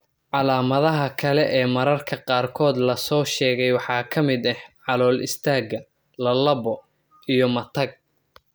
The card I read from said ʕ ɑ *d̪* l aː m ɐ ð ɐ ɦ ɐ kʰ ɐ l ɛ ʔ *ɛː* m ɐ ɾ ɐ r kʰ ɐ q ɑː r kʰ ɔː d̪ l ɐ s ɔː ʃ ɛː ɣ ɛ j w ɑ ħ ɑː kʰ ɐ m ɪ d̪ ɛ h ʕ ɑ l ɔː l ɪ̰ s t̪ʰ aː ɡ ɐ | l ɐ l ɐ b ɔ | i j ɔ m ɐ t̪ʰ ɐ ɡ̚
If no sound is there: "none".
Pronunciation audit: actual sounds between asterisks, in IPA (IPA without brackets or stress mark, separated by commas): none, ɛː